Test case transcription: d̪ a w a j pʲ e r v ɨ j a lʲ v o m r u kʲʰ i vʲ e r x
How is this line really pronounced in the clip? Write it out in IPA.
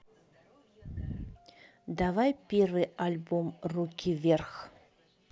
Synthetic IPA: d̪ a v a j pʲ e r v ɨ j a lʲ b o m r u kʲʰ i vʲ e r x